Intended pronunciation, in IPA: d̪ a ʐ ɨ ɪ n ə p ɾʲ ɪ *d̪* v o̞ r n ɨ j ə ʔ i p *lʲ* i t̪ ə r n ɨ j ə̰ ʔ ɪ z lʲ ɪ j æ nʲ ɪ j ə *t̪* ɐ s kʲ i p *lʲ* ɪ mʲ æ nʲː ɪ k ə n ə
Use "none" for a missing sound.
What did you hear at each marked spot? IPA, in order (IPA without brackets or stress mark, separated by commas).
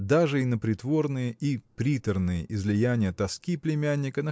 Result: t̪, ɾʲ, t̪, lʲ